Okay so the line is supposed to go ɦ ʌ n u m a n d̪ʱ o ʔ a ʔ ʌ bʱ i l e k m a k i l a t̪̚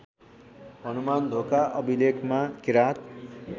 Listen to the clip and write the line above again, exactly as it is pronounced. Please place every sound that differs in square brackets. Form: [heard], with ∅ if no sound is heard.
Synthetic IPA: ɦ ʌ n u m a n d̪ʱ o [k] a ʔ ʌ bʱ i l e k m a k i [ɾ] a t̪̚

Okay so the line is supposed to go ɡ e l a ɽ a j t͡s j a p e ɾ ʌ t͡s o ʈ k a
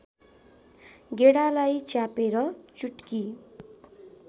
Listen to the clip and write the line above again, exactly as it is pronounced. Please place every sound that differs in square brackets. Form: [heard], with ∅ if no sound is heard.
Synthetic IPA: ɡ e [ɽ] a [l] a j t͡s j a p e ɾ ʌ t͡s [u] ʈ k [i]

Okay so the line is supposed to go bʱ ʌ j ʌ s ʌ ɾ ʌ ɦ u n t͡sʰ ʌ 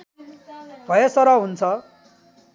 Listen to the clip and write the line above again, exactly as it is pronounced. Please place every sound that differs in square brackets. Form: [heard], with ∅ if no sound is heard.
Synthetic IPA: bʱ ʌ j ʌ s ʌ ɾ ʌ ɦ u n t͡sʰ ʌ

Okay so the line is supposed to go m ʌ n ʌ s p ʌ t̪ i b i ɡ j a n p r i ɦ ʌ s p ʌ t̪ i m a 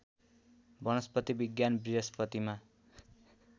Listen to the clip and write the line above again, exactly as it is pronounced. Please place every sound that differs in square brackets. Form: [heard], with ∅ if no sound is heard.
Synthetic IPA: [b] ʌ n ʌ s p ʌ t̪ i b i ɡ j a n [b] r i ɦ ʌ s p ʌ t̪ i m a

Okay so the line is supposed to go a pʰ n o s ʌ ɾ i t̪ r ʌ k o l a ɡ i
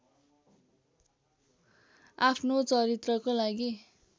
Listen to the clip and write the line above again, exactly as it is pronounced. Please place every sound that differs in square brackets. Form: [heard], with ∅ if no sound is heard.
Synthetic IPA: a pʰ n o [t͡s] ʌ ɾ i t̪ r ʌ k o l a ɡ i

